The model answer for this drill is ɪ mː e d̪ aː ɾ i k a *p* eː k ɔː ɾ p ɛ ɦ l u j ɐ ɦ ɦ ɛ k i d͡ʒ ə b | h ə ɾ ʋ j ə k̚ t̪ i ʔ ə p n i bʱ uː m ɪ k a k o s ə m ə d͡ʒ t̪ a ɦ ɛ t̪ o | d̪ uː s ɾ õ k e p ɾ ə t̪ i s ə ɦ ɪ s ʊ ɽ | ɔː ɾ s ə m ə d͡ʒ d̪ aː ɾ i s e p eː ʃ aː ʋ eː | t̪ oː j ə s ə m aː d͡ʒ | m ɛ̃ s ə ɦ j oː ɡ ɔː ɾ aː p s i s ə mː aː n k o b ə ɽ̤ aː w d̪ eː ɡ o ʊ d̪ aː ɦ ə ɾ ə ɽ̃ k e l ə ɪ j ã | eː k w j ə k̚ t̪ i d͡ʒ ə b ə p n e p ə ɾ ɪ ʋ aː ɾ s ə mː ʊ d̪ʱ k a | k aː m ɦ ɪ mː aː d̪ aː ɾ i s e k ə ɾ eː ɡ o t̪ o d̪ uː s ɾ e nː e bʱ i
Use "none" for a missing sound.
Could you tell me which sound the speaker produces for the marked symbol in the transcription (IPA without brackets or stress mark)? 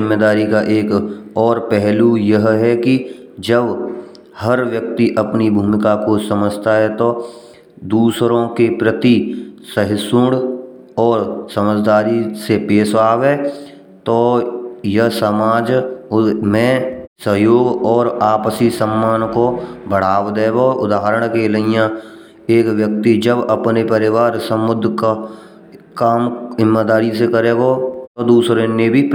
ʔ